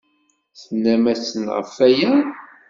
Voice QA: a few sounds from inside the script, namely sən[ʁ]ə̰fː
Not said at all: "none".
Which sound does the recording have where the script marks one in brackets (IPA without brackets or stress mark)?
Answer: ʁ